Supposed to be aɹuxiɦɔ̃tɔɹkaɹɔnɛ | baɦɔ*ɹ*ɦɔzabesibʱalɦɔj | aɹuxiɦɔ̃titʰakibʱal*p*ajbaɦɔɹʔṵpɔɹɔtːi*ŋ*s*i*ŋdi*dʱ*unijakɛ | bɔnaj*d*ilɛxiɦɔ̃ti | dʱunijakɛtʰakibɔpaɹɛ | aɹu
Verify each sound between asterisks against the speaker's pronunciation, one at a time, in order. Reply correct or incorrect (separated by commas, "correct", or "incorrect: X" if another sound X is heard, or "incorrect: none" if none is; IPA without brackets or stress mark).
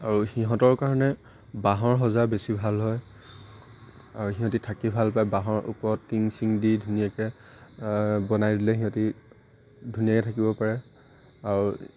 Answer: correct, correct, correct, correct, correct, correct